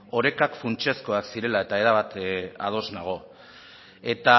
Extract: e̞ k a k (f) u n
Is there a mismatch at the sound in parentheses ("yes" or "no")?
no